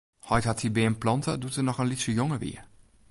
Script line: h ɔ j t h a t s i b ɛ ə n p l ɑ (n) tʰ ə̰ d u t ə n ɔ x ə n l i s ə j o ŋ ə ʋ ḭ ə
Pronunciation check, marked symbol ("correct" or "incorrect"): correct